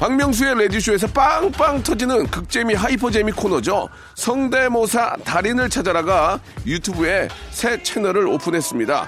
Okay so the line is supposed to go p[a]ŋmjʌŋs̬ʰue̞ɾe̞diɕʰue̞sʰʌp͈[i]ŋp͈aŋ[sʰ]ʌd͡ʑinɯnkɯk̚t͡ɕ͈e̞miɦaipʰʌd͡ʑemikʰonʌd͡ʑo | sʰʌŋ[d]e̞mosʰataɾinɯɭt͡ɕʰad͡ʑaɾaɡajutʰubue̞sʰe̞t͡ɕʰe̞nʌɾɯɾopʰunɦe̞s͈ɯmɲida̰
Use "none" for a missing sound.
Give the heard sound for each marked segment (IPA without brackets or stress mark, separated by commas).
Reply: a, a, tʰ, d